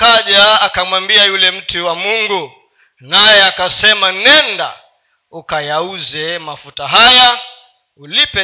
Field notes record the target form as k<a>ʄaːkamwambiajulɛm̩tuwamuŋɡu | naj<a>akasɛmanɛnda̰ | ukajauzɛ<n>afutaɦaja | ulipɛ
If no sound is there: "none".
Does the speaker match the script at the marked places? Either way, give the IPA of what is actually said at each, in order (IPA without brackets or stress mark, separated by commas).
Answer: a, ɛ, m